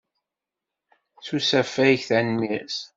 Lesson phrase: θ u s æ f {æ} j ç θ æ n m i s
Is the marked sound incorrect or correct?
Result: correct